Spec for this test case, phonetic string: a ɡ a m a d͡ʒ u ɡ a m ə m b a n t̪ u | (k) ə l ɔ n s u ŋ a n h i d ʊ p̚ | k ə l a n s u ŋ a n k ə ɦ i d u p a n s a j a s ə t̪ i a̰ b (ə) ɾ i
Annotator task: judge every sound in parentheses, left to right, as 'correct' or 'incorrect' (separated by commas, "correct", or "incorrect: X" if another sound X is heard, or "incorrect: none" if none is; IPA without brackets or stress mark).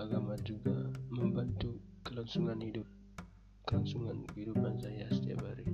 correct, incorrect: a